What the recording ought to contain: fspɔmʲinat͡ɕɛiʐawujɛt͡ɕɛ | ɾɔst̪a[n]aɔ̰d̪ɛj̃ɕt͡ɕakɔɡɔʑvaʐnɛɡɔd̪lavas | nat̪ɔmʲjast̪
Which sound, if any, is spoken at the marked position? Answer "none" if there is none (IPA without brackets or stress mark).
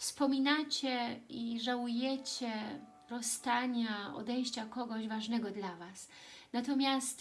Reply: ɲ